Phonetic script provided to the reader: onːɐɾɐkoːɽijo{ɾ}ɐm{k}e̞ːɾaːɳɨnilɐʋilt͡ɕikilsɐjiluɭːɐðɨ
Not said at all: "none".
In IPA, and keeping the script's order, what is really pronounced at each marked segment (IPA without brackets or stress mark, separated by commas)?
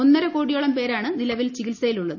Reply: ɭ, p